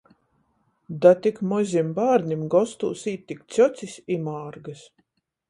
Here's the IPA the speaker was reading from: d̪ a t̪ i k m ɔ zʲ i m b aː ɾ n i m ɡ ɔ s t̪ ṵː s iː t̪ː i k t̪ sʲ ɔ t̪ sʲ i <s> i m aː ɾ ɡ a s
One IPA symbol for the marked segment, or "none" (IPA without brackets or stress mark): s